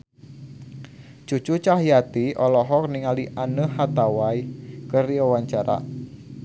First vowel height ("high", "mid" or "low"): high